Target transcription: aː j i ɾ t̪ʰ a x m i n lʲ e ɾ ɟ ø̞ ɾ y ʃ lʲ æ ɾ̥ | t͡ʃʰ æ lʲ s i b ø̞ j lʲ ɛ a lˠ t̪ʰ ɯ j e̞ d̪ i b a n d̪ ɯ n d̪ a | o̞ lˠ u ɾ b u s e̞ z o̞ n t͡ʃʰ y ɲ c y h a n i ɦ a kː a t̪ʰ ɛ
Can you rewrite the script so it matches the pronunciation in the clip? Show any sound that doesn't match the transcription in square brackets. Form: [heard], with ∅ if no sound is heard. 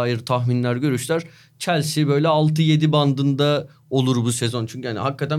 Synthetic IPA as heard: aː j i ɾ t̪ʰ a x m i n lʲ [æ] ɾ ɟ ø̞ ɾ y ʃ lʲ æ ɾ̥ | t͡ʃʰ æ lʲ s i b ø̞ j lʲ ɛ a lˠ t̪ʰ ɯ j e̞ d̪ i b a n d̪ ɯ n d̪ a | o̞ lˠ u ɾ b u s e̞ z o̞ n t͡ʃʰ y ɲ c y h a n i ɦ a kː a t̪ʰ [æ]